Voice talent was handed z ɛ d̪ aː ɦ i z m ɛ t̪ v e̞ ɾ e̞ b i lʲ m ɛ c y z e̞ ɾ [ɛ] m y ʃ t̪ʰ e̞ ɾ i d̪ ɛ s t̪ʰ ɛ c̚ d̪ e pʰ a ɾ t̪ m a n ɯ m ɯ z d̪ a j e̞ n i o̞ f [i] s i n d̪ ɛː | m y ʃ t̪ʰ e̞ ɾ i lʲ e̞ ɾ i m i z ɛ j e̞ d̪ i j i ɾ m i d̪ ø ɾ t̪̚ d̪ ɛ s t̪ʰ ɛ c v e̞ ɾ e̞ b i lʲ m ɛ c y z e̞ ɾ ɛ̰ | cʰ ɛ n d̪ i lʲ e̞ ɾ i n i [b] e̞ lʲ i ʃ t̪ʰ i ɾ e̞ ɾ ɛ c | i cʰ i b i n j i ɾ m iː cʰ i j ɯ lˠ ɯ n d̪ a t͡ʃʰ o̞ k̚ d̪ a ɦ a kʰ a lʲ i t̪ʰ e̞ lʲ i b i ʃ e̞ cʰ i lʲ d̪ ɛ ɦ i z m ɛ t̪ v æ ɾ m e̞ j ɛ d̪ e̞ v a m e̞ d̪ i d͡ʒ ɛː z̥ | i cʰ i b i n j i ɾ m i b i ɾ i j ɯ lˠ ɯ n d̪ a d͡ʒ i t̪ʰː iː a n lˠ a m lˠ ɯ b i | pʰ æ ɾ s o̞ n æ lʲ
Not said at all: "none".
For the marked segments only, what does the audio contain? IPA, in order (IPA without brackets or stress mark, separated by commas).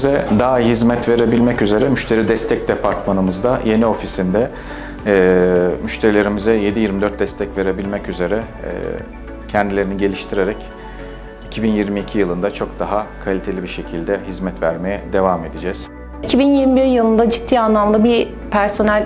ɛ, i, ɟ